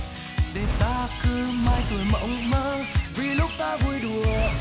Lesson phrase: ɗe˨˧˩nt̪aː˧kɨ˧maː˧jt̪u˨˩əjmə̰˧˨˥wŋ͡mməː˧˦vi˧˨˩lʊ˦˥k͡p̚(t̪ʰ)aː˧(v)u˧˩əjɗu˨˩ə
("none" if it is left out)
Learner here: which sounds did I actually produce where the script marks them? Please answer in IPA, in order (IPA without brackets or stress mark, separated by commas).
t̪, v